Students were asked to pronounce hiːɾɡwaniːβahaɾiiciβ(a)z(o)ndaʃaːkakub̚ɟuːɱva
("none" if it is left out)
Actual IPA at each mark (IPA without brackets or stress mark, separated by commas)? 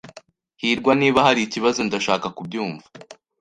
a, o